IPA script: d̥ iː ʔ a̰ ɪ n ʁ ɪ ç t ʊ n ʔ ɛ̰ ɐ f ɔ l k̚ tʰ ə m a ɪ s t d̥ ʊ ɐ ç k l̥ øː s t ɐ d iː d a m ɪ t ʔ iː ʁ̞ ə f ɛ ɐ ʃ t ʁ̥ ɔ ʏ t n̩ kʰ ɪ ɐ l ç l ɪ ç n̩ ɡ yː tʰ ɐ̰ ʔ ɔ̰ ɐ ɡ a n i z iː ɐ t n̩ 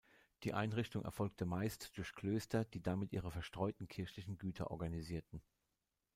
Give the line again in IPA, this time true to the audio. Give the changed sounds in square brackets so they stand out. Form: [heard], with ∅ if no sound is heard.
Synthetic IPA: d̥ iː ʔ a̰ ɪ n ʁ ɪ ç t ʊ [ŋ] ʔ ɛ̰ ɐ f ɔ l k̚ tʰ ə m a ɪ s t d̥ ʊ ɐ ç k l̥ øː s t ɐ d iː d a m ɪ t ʔ iː ʁ̞ ə f ɛ ɐ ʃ t ʁ̥ ɔ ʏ t n̩ kʰ ɪ ɐ [∅] ç l ɪ ç n̩ ɡ yː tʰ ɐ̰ ʔ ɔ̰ ɐ ɡ a n i z iː ɐ t n̩